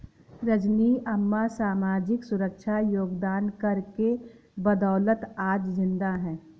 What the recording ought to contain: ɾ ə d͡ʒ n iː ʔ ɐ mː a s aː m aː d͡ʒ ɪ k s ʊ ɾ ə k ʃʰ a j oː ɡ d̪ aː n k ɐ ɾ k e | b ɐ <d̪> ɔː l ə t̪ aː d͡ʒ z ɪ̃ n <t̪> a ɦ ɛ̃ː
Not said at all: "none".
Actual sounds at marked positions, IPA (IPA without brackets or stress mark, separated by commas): d̪, d̪